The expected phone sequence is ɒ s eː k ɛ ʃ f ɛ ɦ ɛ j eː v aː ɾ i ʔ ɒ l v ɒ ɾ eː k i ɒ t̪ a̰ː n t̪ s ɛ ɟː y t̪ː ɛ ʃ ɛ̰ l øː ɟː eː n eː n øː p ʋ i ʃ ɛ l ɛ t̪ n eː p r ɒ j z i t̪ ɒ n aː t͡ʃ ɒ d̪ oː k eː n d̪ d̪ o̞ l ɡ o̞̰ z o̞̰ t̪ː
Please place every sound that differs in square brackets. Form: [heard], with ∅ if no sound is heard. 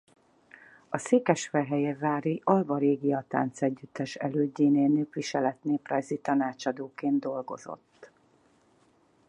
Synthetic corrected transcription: ɒ s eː k ɛ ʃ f ɛ ɦ ɛ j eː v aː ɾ i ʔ ɒ l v ɒ ɾ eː [ɡ] i ɒ t̪ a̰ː n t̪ s ɛ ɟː y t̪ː ɛ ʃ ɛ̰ l øː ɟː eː n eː n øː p ʋ i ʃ ɛ l ɛ t̪ n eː p r ɒ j z i t̪ ɒ n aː t͡ʃ ɒ d̪ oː k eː n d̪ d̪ o̞ l ɡ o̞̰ z o̞̰ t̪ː